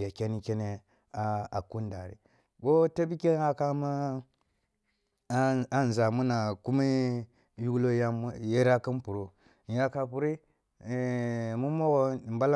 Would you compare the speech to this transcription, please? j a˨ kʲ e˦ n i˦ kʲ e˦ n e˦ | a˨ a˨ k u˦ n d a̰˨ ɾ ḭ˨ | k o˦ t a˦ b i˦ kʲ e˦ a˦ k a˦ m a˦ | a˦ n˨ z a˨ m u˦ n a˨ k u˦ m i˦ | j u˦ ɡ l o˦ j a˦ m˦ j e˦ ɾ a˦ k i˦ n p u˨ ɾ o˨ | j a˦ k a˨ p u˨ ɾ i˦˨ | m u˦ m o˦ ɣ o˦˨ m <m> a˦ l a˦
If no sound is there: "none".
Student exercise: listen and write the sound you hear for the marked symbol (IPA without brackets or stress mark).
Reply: b